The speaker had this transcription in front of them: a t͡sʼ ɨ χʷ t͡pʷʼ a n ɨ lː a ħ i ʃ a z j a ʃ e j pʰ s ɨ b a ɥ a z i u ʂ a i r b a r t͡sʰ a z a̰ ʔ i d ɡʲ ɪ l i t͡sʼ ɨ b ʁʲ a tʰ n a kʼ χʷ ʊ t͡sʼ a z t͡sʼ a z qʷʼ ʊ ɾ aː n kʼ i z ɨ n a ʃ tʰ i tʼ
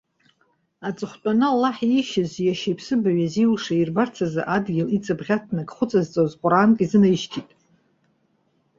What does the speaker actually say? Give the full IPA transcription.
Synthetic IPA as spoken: a t͡sʼ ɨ χʷ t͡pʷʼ a n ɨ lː a ħ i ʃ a z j a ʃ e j pʰ s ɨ b a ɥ a z i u ʂ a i r b a r t͡sʰ a z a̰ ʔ a d ɡʲ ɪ l i t͡sʼ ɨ b ʁʲ a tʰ n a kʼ χʷ ʊ t͡sʼ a z t͡sʼ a z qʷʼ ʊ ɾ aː n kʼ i z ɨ n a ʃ tʰ i tʼ